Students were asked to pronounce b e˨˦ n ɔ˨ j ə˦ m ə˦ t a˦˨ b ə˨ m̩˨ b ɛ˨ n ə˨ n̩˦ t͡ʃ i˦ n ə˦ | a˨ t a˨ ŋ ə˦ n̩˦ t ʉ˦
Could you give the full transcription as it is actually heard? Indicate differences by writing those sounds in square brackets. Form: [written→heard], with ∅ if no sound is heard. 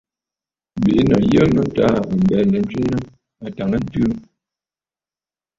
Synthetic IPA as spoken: b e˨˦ n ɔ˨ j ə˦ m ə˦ t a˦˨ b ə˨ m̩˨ b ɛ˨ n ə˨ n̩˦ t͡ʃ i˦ n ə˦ | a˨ t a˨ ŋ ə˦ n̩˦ t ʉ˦